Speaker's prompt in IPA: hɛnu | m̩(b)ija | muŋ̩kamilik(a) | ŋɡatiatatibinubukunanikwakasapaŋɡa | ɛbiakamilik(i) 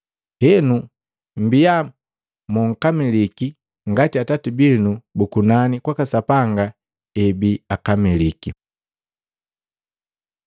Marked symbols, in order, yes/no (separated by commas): yes, no, yes